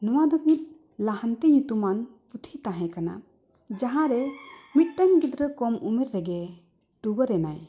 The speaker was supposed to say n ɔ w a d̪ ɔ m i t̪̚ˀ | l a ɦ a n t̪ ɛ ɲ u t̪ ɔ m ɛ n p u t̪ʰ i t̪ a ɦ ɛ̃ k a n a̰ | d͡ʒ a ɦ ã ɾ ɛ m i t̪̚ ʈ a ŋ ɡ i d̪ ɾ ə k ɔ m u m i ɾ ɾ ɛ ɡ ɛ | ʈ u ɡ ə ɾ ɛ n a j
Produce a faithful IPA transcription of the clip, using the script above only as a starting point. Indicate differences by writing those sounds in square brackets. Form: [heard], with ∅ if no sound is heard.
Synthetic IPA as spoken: n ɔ w a d̪ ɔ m i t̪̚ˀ | l a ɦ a n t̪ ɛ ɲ u t̪ [u] m [a] n p u t̪ʰ i t̪ a ɦ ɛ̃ k a n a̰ | d͡ʒ a ɦ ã ɾ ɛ m i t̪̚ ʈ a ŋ ɡ i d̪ ɾ ə k ɔ m u m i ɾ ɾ ɛ ɡ ɛ | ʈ u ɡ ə ɾ ɛ n a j

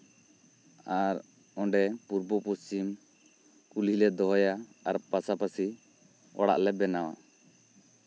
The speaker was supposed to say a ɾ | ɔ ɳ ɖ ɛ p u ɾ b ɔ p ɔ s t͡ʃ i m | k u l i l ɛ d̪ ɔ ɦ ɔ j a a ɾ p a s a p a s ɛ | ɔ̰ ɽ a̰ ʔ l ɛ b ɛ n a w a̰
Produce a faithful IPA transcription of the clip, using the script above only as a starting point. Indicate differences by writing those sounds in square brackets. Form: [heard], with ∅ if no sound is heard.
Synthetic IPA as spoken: a ɾ | ɔ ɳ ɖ ɛ p u ɾ b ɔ p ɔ s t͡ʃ i m | k u l i l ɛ d̪ ɔ ɦ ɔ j a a ɾ p a s a p a s [i] | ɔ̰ ɽ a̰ ʔ l ɛ b ɛ n a w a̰

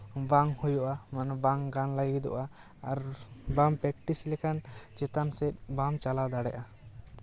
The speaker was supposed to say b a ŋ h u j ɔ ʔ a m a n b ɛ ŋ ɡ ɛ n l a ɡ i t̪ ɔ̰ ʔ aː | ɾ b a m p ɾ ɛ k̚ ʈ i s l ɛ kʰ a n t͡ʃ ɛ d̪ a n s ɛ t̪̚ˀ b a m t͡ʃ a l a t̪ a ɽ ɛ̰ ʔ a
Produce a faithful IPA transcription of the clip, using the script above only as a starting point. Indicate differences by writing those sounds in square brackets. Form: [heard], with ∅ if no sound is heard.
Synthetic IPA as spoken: b a ŋ h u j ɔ ʔ a m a n b [a] ŋ ɡ [a] n l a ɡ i [d̪] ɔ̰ ʔ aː | ɾ b a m p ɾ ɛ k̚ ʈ i s l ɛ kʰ a n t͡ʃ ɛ [t̪] a n s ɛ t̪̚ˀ b a m t͡ʃ a l a [d̪] a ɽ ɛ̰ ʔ a

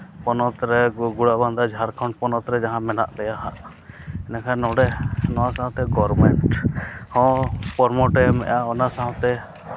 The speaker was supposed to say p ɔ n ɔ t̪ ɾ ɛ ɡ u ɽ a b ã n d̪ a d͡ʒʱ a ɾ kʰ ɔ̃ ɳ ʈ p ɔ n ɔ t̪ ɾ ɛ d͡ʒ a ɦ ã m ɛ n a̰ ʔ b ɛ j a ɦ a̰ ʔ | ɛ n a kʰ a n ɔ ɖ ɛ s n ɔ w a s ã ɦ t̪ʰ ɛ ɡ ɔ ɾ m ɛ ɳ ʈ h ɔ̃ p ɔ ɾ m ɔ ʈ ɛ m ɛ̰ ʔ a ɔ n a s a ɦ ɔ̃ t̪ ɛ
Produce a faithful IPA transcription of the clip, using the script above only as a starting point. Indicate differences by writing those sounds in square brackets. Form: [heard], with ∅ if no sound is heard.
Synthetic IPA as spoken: p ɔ n ɔ t̪ ɾ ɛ ɡ u ɽ a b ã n d̪ a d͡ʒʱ a ɾ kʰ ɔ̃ ɳ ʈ p ɔ n ɔ t̪ ɾ ɛ d͡ʒ a ɦ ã m ɛ n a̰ ʔ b ɛ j a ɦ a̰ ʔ | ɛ n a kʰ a n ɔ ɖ ɛ [∅] n ɔ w a s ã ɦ [t̪] ɛ ɡ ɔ ɾ m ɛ ɳ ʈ h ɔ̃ p ɔ ɾ m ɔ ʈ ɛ m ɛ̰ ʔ a ɔ n a s a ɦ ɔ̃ t̪ ɛ

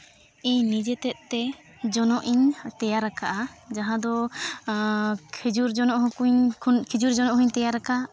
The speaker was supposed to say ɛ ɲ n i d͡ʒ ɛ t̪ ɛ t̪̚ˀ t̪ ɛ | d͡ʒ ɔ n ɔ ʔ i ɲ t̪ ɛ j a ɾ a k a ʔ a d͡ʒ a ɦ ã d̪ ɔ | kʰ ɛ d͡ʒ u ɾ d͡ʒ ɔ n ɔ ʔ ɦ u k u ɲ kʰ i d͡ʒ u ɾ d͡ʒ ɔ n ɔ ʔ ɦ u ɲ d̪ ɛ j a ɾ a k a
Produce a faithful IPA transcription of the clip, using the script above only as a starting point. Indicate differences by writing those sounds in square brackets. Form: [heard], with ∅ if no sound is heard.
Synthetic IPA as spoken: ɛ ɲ n i d͡ʒ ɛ t̪ ɛ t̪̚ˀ t̪ ɛ | d͡ʒ ɔ n ɔ ʔ i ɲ t̪ ɛ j a ɾ a k a ʔ a d͡ʒ a ɦ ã d̪ ɔ | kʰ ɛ d͡ʒ u ɾ d͡ʒ ɔ n ɔ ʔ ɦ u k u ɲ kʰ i d͡ʒ u ɾ d͡ʒ ɔ n ɔ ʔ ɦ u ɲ [t̪] ɛ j a ɾ a k a

